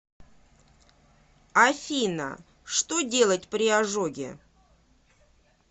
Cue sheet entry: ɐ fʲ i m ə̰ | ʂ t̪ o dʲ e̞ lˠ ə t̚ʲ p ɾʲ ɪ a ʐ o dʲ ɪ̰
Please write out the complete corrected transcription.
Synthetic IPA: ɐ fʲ i n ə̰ | ʂ t̪ o dʲ e̞ lˠ ə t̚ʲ p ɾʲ ɪ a ʐ o ɡʲ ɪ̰